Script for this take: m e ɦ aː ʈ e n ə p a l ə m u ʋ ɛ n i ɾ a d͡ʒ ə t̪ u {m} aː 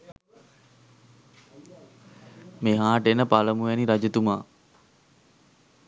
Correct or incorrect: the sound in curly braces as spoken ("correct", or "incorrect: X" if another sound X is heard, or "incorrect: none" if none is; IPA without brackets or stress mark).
correct